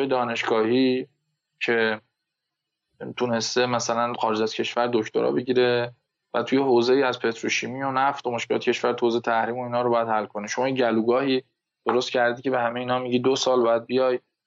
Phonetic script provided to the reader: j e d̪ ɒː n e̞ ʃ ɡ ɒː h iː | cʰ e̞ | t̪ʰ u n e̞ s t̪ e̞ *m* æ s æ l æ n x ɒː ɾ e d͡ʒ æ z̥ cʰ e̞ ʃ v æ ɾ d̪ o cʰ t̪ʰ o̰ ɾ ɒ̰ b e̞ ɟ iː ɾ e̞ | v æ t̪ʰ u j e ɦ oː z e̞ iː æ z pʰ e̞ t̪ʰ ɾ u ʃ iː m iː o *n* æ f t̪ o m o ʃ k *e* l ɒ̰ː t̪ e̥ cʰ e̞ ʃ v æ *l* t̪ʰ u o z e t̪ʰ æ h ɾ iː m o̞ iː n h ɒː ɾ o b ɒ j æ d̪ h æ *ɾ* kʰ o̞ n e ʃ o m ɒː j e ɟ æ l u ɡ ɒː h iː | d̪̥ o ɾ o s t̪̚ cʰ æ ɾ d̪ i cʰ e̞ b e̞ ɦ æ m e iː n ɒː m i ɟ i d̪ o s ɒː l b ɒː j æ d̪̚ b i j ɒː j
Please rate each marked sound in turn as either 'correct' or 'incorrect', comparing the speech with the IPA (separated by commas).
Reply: correct, correct, correct, incorrect, incorrect